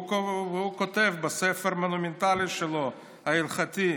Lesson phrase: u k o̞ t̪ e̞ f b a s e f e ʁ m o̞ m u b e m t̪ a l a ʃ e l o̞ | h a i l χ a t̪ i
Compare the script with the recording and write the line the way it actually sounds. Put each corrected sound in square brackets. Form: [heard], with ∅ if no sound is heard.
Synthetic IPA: u k o̞ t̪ e̞ [v] b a s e f e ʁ m o̞ [n] u [m] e [n] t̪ a l [i] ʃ e l o̞ | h a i l χ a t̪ i